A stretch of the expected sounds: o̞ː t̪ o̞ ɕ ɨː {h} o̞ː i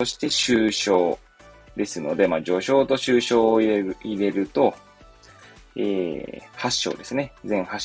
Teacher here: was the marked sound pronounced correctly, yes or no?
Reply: no